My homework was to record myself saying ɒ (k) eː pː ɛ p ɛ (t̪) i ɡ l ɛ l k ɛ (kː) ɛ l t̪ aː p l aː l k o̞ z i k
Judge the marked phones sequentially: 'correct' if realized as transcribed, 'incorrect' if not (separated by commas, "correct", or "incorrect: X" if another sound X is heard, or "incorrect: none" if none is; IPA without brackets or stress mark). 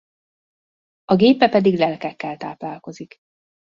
incorrect: ɡ, incorrect: d̪, correct